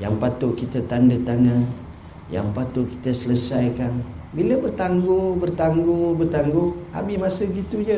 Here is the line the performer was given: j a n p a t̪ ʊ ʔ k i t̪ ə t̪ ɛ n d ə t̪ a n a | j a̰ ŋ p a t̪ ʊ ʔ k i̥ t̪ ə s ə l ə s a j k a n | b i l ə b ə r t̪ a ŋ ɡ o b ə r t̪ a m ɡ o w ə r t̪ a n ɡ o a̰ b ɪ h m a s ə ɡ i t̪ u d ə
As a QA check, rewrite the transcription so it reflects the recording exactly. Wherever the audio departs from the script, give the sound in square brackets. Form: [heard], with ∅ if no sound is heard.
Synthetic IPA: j a [ŋ] p a t̪ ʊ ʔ k i t̪ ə t̪ [a] n d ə t̪ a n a | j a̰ ŋ p a t̪ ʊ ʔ k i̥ t̪ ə s ə l ə s a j k a n | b i l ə b ə r t̪ a ŋ ɡ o b ə r t̪ a [ŋ] ɡ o [b] ə r t̪ a [ŋ] ɡ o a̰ b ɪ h m a s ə ɡ i t̪ u [d͡ʒ] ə